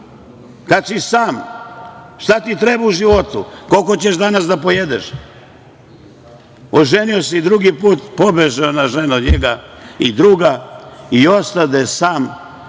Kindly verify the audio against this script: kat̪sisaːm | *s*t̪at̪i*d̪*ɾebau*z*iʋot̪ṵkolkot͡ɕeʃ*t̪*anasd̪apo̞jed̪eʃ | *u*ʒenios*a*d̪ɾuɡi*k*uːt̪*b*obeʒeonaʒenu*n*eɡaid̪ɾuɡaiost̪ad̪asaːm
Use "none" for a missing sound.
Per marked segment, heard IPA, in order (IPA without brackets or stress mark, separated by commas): ʃ, t̪, ʒ, d̪, o, i, p, p, ɲ